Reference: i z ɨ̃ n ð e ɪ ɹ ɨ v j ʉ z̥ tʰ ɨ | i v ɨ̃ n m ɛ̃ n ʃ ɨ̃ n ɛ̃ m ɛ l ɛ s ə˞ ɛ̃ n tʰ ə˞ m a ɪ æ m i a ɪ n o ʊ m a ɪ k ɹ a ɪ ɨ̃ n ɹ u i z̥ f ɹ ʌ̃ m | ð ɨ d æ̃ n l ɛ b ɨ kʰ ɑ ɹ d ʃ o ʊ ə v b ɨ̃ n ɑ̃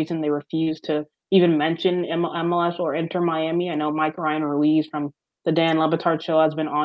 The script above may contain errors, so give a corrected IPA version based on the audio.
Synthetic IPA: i z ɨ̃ n ð e ɪ ɹ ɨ f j ʉ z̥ tʰ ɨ | i v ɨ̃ n m ɛ̃ n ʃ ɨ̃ n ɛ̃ m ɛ l ɛ s ə˞ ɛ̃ n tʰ ə˞ m a ɪ æ m i a ɪ n o ʊ m a ɪ k ɹ a ɪ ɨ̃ n ɹ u i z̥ f ɹ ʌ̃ m | ð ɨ d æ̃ n l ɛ b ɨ tʰ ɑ ɹ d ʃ o ʊ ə z b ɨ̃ n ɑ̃